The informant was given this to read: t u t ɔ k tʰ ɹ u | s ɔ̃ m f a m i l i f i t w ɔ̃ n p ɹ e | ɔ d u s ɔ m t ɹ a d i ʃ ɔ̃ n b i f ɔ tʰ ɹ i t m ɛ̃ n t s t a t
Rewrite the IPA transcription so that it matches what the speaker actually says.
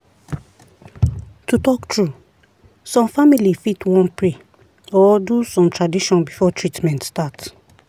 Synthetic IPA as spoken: t u t ɔ k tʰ ɹ u | s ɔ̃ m f a m i l i f i t w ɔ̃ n p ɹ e | ɔ d u s ɔ̃ m t ɹ a d i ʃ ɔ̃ n b i f ɔ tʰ ɹ i t m ɛ̃ n t s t a t